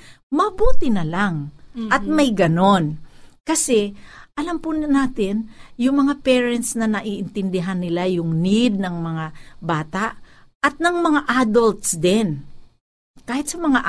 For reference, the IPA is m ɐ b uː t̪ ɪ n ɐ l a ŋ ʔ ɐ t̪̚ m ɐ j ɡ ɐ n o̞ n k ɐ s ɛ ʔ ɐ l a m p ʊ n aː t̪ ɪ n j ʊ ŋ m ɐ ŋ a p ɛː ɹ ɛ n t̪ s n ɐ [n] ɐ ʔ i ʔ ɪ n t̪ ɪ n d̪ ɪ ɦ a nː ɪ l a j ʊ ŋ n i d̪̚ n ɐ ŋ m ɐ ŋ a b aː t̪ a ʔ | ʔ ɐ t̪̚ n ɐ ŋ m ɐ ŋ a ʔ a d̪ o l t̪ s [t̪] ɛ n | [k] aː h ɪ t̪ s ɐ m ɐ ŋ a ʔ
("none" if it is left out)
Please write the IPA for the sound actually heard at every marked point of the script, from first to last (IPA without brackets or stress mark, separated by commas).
n, d̪, k